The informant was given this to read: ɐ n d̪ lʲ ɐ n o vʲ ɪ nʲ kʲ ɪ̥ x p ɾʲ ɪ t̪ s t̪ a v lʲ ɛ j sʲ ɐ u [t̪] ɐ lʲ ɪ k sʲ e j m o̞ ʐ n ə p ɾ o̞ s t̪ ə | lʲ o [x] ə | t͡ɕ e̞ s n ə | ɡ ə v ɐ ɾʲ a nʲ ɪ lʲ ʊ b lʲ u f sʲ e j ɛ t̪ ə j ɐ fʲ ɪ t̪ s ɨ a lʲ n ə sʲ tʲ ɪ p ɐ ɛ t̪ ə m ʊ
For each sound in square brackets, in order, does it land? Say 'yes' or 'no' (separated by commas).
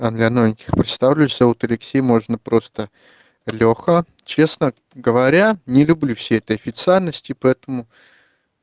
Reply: yes, yes